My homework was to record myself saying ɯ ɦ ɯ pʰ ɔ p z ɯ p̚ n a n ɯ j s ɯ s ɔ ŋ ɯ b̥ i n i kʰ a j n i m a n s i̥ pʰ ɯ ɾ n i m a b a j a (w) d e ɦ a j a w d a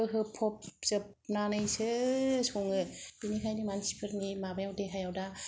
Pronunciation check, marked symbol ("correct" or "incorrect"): correct